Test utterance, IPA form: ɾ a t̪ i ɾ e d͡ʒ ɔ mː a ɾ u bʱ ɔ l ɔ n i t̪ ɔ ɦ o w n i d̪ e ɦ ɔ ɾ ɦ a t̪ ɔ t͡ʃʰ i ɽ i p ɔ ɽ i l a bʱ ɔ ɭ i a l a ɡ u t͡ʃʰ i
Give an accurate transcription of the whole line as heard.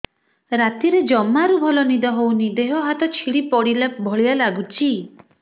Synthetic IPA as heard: ɾ a t̪ i ɾ e d͡ʒ ɔ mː a ɾ u bʱ ɔ l ɔ n i d̪ ɔ ɦ o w n i d̪ e ɦ ɔ ɦ a t̪ ɔ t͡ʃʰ i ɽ i p ɔ ɽ i l a bʱ ɔ ɭ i a l a ɡ u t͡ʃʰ i